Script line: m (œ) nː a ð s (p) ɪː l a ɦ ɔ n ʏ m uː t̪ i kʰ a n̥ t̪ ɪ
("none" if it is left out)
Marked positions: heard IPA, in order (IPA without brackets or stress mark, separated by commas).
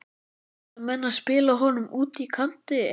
ɛ, p